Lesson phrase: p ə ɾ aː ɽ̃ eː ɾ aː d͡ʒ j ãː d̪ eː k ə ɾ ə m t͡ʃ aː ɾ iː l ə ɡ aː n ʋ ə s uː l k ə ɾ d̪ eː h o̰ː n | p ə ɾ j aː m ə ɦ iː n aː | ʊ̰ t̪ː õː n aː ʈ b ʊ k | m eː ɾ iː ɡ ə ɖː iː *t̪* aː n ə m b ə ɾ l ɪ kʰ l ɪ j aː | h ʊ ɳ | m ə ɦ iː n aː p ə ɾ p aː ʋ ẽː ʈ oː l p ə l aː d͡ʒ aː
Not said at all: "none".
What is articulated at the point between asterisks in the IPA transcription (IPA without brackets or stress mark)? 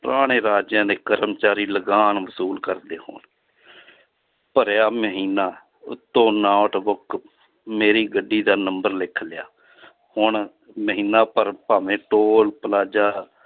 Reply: d̪